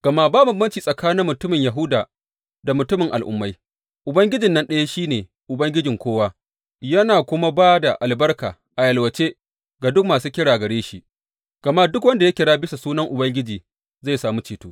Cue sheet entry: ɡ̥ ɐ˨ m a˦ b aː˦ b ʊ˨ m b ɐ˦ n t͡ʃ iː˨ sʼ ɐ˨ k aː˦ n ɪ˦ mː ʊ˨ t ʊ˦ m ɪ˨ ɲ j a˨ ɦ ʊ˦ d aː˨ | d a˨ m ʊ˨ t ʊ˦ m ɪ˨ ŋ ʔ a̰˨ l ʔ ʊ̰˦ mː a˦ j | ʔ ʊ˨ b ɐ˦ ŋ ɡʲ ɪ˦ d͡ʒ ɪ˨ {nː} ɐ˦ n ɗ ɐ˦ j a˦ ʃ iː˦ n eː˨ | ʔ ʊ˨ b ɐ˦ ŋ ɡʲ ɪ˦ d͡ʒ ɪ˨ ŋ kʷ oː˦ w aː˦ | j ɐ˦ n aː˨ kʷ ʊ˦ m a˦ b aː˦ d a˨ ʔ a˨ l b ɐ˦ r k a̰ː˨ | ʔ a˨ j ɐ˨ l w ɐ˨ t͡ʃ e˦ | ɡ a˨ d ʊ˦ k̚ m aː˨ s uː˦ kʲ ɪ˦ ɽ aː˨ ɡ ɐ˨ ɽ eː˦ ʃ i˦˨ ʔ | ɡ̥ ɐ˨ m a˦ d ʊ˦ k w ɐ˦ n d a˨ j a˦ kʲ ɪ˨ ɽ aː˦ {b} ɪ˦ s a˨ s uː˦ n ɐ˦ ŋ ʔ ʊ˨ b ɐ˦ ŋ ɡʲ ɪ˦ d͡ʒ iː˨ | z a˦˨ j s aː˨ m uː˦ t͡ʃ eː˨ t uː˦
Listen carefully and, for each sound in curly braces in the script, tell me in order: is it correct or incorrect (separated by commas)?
correct, correct